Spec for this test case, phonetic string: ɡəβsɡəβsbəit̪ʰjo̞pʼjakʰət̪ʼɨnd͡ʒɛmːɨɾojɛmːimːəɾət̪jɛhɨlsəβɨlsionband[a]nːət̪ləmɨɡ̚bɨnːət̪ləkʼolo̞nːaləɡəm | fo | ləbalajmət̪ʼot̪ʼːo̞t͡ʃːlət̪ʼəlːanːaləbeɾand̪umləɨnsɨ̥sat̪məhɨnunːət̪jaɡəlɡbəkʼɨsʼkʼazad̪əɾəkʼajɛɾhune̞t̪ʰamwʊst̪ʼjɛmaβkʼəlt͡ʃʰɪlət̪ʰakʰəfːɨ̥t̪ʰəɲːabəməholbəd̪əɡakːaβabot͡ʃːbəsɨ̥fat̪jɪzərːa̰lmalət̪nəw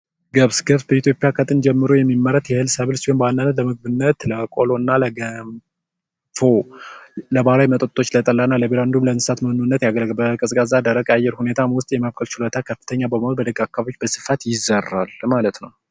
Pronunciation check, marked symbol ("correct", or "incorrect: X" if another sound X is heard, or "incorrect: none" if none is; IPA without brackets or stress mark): correct